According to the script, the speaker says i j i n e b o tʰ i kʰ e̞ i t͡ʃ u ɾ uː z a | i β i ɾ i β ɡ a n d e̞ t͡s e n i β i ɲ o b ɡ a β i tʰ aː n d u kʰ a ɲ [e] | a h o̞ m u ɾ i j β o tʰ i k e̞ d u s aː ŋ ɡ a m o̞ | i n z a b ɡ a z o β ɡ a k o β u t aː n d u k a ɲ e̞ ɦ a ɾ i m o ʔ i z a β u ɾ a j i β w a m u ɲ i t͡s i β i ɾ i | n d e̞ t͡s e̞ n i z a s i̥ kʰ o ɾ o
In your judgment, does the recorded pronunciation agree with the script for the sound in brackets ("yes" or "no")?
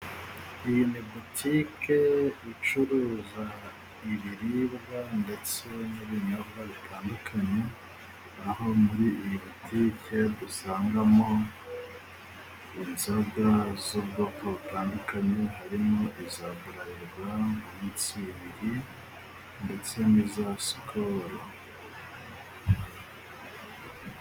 yes